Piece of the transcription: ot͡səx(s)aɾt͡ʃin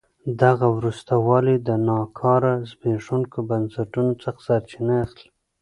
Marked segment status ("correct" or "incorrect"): correct